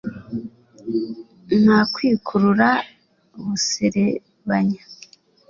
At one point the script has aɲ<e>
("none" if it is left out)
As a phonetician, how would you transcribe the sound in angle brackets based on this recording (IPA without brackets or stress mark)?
a